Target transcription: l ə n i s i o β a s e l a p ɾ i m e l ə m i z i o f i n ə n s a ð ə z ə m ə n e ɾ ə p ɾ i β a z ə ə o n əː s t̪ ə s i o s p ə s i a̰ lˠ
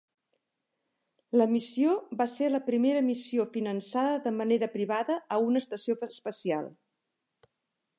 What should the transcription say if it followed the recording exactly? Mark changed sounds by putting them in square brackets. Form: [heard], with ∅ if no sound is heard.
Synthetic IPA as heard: l ə [m] i s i o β a s e l [ə] p ɾ i m e [ɾ] ə m i [s] i o f i n ə n s a ð ə [ð] ə m ə n e ɾ ə p ɾ i β a [ð] ə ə [u] n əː s t̪ ə s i o s p ə s i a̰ lˠ